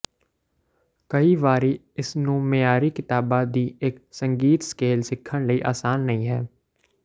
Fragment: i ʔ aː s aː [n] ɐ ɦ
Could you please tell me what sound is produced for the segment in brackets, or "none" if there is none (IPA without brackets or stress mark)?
nː